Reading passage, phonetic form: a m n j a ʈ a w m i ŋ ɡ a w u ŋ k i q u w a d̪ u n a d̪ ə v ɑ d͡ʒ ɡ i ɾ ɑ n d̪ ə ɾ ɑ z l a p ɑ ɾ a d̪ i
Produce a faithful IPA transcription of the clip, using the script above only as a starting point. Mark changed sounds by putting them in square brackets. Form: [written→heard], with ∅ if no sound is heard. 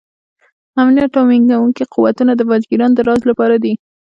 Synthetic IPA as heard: a m n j a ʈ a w m i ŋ ɡ a w u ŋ k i q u w a [d̪→t̪] u n a d̪ ə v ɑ d͡ʒ ɡ i ɾ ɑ n d̪ ə ɾ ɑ z l a p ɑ ɾ a d̪ i